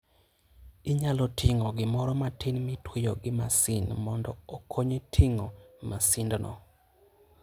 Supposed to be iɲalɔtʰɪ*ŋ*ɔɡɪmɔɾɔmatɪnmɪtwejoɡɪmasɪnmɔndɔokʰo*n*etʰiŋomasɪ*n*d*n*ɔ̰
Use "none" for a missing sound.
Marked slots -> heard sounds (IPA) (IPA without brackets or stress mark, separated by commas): ŋ, ɲ, n, n